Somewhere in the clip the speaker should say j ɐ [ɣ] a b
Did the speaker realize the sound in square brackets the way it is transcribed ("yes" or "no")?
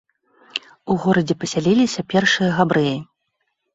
yes